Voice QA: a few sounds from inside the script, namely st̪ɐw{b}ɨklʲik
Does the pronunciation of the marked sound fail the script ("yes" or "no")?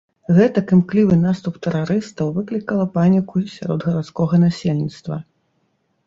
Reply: yes